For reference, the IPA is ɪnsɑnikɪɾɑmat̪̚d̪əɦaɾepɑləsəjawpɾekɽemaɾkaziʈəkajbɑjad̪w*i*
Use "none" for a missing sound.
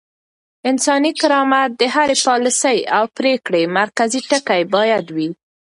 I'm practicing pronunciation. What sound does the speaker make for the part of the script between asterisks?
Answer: i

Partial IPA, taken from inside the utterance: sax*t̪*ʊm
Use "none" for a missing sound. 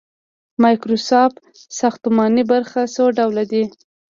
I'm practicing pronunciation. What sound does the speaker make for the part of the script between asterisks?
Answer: t̪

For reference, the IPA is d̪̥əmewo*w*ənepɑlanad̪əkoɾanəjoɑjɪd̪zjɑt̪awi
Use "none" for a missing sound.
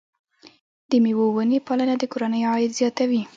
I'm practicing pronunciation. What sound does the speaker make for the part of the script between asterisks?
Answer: w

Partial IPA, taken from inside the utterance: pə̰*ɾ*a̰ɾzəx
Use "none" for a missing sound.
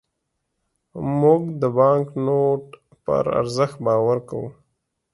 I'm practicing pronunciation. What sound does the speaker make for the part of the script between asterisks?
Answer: ɾ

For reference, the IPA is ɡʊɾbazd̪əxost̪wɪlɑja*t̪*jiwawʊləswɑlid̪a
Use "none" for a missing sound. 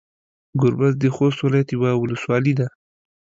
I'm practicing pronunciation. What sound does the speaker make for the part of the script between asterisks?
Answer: t̪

